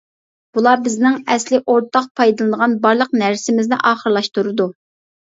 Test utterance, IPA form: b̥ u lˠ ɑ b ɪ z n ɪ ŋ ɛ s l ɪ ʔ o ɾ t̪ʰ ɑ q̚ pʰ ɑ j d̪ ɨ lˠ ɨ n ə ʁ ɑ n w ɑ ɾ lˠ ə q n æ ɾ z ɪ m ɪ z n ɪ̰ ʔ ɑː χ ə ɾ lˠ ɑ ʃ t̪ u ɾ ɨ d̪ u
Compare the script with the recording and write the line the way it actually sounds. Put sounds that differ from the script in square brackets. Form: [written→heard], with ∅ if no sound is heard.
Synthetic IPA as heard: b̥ u lˠ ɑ b ɪ z n ɪ ŋ ɛ s l ɪ ʔ o ɾ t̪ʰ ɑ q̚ pʰ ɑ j d̪ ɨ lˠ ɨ n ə ʁ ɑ n [w→b] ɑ ɾ lˠ ə q n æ ɾ [z→s] ɪ m ɪ z n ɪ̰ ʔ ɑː χ ə ɾ lˠ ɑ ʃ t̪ u ɾ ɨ d̪ u

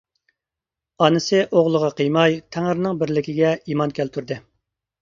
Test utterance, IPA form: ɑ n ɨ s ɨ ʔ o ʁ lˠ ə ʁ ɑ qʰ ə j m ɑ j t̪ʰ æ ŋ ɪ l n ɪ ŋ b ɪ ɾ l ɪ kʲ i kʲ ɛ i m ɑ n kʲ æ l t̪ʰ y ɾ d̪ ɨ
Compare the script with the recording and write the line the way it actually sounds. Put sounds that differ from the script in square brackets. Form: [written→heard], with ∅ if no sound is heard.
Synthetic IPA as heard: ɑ n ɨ s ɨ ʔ o ʁ lˠ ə ʁ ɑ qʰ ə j m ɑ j t̪ʰ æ ŋ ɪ [l→ɾ] n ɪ ŋ b ɪ ɾ l ɪ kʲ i [kʲ→ɡʲ] ɛ i m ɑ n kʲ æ l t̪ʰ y ɾ d̪ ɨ

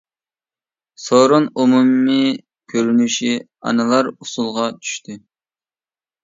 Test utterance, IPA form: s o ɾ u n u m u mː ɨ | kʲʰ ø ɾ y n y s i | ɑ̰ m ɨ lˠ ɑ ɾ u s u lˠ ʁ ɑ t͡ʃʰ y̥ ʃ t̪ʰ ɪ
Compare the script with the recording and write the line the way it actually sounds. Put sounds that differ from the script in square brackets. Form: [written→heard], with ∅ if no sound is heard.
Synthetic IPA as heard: s o ɾ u n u m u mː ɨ | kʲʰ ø ɾ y n y [s→ʃ] i | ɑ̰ [m→n] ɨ lˠ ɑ ɾ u s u lˠ ʁ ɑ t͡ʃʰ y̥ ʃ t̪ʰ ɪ

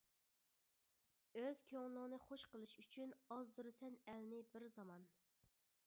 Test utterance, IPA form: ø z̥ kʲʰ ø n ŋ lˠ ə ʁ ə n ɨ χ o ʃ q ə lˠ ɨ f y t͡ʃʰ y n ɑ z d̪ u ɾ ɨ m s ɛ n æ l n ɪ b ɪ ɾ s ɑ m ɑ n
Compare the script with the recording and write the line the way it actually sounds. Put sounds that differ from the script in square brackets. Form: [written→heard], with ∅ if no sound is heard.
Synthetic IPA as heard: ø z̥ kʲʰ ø [n→∅] ŋ lˠ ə ʁ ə n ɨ χ o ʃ q ə lˠ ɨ [f→ʃ] y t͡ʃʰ y n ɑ z d̪ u ɾ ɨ [m→∅] s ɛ n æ l n ɪ b ɪ ɾ [s→z] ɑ m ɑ n

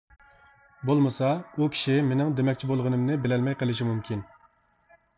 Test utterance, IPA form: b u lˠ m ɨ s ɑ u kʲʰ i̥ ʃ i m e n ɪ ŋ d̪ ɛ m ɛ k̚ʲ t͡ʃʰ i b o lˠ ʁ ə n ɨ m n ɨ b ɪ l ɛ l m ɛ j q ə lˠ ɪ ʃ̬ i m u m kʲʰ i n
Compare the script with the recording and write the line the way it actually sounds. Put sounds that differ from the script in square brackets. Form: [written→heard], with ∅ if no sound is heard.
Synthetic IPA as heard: b [u→o] lˠ m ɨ s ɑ u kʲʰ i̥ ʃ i m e n ɪ ŋ d̪ [ɛ→e] m ɛ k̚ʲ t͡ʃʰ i b o lˠ ʁ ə n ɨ m n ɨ b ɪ l ɛ l m ɛ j q ə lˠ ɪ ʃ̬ i m u m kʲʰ i n

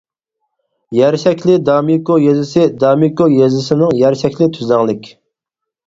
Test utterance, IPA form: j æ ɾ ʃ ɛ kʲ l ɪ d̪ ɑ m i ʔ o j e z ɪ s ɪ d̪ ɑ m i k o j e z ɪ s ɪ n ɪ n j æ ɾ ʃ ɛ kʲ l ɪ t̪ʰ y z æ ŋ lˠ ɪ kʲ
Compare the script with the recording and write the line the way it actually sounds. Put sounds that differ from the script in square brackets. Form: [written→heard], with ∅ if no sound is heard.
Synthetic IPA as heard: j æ ɾ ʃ ɛ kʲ l ɪ d̪ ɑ m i [ʔ→k] o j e z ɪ s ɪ d̪ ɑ m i k o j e z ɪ s ɪ n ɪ [n→ŋ] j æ ɾ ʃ ɛ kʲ l ɪ t̪ʰ y z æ ŋ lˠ ɪ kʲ

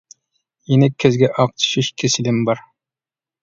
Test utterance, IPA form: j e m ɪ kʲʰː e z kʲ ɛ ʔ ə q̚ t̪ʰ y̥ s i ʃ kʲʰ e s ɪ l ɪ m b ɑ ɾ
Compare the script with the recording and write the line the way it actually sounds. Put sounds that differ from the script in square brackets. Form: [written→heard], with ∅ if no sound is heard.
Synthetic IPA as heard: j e [m→n] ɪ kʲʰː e z [kʲ→ɡʲ] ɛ ʔ [ə→ɑ] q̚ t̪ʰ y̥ [s→ʃ] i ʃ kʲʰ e s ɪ l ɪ m b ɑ ɾ

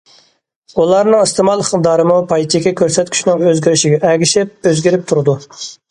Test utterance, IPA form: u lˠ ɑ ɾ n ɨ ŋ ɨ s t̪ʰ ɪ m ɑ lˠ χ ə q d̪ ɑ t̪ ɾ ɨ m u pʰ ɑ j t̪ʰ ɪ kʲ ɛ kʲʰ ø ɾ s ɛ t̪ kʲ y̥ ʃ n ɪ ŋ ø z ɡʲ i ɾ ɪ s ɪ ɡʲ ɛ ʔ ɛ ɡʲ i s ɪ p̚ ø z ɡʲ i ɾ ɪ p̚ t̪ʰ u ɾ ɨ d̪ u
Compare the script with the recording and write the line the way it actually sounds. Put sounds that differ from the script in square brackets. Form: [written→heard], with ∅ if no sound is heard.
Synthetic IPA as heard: u lˠ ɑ ɾ n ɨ ŋ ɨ s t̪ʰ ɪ m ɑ lˠ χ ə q d̪ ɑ [t̪→∅] ɾ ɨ m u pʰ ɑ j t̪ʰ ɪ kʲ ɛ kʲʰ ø ɾ s ɛ t̪ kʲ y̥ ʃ n ɪ ŋ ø z ɡʲ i ɾ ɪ [s→ʃ] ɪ ɡʲ ɛ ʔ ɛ ɡʲ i [s→ʃ] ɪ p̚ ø z ɡʲ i ɾ ɪ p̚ t̪ʰ u ɾ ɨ d̪ u

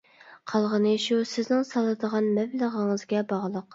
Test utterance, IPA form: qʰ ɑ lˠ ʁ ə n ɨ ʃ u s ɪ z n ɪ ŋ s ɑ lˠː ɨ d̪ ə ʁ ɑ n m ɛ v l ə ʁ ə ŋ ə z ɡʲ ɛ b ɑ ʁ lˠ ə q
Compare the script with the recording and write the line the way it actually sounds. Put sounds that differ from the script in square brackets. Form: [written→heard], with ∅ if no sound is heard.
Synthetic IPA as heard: qʰ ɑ lˠ ʁ ə n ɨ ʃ u s ɪ z n ɪ ŋ s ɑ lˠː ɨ d̪ ə ʁ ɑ n m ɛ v l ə ʁ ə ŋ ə z ɡʲ ɛ b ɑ ʁ lˠ ə q

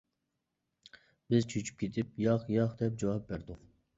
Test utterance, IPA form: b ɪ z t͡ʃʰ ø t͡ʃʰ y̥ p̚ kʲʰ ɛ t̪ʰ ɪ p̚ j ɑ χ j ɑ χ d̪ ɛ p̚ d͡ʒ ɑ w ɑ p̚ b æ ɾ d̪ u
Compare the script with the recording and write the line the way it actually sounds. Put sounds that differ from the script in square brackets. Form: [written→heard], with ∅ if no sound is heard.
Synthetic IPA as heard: b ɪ z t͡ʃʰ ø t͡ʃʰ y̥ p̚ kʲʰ [ɛ→e] t̪ʰ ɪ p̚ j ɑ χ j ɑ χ d̪ ɛ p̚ d͡ʒ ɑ w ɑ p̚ b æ ɾ d̪ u

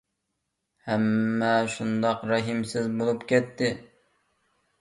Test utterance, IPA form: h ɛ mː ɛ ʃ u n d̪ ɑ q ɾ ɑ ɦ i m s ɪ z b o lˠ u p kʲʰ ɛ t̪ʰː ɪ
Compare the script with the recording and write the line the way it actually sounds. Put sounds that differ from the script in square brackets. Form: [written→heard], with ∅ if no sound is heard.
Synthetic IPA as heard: h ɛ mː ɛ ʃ u n d̪ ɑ q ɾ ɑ ɦ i m s ɪ z b o lˠ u p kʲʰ ɛ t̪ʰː ɪ

